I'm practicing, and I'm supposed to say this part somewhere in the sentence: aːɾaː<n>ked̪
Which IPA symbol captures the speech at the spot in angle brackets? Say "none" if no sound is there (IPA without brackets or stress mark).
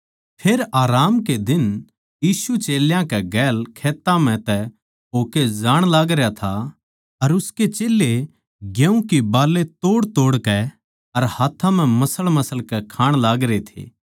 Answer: m